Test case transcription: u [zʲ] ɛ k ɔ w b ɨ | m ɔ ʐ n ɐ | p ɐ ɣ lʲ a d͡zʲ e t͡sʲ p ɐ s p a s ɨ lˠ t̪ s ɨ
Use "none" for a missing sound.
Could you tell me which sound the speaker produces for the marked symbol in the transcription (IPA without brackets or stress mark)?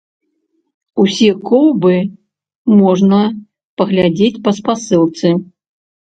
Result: sʲ